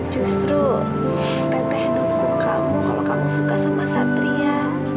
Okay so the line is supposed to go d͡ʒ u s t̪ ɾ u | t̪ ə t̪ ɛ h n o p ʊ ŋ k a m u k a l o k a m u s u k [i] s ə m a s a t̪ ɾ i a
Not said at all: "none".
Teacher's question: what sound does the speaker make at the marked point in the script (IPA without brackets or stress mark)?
a